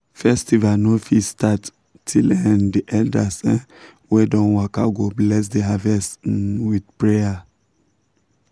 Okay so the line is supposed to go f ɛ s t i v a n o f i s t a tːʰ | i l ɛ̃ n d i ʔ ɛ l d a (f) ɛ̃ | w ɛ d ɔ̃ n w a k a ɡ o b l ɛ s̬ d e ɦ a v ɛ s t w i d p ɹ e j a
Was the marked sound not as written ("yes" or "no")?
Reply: yes